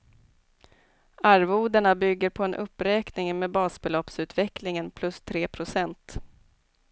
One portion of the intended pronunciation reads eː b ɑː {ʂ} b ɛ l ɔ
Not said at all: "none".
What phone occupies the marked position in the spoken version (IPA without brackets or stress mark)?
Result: s